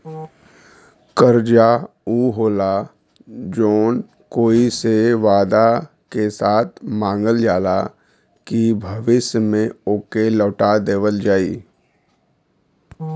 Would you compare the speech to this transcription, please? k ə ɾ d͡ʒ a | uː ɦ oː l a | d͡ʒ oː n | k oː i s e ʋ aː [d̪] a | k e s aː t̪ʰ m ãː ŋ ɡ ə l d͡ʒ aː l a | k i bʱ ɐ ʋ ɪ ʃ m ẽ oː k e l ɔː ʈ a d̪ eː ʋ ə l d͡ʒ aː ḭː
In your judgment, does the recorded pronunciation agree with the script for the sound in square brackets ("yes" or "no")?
yes